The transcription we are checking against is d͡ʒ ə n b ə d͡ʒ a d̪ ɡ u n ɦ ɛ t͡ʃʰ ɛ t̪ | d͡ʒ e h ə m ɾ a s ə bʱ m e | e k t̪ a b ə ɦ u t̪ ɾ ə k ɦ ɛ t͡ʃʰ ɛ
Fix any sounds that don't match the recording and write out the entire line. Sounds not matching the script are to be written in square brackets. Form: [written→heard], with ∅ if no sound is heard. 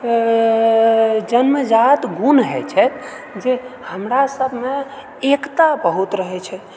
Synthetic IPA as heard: d͡ʒ ə n [b→m] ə d͡ʒ a [d̪→t̪] ɡ u n ɦ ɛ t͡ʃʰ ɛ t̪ | d͡ʒ e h ə m ɾ a s ə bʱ m e | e k t̪ a b ə ɦ u t̪ ɾ ə [k→∅] ɦ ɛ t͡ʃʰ ɛ